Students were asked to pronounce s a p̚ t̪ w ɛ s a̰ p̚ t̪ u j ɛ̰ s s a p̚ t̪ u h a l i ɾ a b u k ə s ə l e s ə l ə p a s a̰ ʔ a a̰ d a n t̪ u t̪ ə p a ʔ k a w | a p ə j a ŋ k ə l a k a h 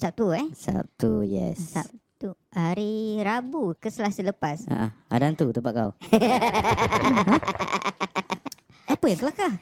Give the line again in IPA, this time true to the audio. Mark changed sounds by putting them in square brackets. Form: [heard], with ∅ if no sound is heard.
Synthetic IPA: s a p̚ t̪ [u] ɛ s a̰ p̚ t̪ u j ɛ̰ s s a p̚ t̪ u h a [ɾ] i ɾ a b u k ə s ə l [a] s ə l ə p a s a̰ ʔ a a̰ d a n t̪ u t̪ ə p a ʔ k a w | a p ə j a ŋ k ə l a k a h